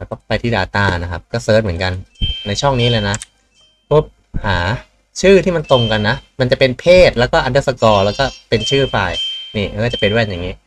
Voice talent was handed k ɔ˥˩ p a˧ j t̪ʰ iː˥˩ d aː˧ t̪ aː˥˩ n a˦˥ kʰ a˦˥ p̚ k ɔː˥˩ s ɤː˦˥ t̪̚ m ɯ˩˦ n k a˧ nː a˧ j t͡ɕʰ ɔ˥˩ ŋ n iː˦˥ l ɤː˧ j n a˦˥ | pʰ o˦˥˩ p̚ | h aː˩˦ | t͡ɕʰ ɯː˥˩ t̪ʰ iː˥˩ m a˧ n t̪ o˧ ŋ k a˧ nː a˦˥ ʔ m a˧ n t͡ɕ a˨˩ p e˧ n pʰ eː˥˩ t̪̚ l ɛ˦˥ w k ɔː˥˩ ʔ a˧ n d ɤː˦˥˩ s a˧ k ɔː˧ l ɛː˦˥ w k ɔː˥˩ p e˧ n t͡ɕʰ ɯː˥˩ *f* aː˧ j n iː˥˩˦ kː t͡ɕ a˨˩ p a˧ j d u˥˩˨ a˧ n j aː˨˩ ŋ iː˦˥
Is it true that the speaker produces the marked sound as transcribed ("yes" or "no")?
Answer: yes